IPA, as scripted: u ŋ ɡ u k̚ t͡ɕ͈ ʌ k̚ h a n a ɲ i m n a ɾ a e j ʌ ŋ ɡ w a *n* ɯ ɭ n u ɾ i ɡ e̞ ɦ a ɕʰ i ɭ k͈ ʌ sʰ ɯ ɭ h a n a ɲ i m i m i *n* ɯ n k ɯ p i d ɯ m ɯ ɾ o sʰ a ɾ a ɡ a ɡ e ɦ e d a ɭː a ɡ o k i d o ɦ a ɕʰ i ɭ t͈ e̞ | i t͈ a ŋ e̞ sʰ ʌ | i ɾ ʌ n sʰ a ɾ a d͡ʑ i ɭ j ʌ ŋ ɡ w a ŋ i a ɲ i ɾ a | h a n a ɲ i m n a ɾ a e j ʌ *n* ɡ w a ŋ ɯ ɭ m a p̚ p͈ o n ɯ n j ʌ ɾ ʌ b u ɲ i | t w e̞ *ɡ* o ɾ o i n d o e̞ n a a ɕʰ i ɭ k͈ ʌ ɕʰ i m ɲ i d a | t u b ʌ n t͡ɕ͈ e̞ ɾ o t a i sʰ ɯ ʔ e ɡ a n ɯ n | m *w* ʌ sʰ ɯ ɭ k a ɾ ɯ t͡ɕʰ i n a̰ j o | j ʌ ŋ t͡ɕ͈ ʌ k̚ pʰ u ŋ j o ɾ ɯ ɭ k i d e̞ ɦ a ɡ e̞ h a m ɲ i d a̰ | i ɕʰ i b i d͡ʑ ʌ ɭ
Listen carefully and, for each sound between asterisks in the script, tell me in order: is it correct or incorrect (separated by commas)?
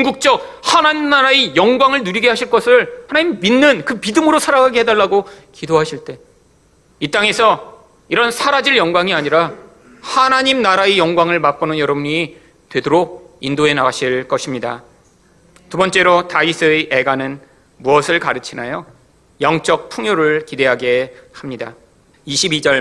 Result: incorrect, incorrect, incorrect, incorrect, incorrect